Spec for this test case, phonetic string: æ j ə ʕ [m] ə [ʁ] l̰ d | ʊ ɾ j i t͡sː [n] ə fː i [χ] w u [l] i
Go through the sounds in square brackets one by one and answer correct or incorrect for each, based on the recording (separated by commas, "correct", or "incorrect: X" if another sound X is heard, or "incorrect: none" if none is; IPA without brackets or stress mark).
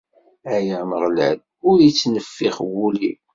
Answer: correct, correct, correct, correct, correct